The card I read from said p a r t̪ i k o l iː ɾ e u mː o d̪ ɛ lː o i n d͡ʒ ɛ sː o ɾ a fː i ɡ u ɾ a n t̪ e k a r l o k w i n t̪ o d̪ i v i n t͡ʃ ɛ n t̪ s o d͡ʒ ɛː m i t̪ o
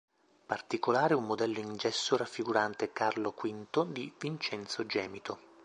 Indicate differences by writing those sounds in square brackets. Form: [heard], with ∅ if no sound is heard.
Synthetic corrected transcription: p a r t̪ i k o l [aː] ɾ e u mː o d̪ ɛ lː o i n d͡ʒ ɛ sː o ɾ a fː i ɡ u ɾ a n t̪ e k a r l o k w i n t̪ o d̪ i v i n t͡ʃ ɛ n t̪ s o d͡ʒ ɛː m i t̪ o